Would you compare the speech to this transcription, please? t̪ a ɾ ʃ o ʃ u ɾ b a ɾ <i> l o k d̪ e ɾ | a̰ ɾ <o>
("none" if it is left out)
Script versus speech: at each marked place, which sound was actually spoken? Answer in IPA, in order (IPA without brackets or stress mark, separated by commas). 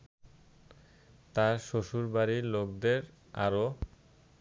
i, o